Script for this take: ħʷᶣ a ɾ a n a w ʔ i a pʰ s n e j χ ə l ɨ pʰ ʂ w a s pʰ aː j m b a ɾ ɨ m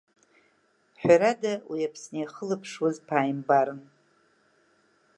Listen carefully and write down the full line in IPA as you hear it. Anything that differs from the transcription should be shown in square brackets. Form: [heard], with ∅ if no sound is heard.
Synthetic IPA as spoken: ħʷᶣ a ɾ a [d] a w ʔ i a pʰ s n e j χ ə l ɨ pʰ ʂ w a [z] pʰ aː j m b a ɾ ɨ [n]